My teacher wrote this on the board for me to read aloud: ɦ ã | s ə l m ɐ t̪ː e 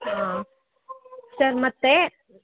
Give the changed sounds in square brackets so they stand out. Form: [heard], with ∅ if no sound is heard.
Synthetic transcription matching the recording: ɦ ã | s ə [ɾ] m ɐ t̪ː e